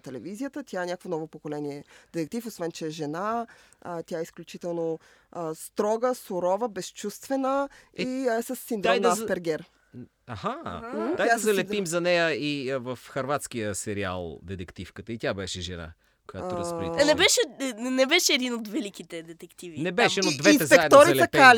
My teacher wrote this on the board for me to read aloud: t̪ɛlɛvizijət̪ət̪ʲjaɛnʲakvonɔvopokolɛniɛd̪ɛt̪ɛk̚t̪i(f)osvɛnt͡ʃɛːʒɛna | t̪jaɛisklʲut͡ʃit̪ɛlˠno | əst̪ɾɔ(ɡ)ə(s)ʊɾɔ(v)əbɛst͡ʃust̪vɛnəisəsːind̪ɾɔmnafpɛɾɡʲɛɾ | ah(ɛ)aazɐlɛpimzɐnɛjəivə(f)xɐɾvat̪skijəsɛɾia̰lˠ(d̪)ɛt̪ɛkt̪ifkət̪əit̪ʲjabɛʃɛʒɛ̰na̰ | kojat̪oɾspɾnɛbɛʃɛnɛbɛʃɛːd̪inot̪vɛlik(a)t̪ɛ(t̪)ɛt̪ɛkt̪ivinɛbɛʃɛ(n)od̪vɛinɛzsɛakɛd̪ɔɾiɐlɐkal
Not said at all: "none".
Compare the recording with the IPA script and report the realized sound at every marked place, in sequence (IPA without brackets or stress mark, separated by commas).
f, ɡ, s, v, a, f, d̪, i, d̪, n